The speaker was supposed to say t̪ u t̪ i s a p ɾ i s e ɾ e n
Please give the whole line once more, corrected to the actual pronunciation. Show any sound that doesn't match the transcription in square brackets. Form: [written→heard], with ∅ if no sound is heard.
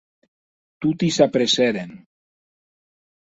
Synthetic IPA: t̪ u t̪ i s a p ɾ [i→e] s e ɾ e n